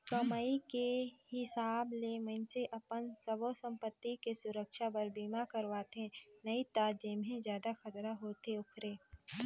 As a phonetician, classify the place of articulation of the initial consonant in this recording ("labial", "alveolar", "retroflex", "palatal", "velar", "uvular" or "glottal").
velar